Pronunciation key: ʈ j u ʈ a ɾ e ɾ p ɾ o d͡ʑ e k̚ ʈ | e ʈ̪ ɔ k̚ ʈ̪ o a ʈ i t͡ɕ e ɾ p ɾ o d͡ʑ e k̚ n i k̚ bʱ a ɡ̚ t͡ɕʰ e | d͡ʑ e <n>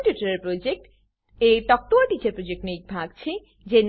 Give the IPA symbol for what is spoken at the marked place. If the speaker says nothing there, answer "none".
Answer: n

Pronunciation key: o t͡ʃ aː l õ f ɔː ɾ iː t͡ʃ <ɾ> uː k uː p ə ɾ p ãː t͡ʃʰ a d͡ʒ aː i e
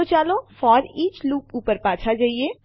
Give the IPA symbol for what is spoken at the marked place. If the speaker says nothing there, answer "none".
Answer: l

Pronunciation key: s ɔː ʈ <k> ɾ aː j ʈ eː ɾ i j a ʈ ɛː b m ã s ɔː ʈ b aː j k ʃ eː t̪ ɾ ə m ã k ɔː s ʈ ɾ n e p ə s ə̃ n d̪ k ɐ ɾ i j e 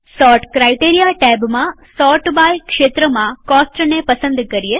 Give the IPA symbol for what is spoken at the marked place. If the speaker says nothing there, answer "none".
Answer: k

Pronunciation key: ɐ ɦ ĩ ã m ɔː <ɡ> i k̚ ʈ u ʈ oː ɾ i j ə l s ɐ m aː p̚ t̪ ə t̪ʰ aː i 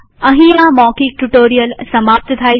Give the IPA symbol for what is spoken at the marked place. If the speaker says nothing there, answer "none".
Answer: k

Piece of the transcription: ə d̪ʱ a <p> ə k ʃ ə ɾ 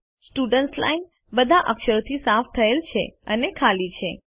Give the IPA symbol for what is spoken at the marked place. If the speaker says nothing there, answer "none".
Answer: ʔ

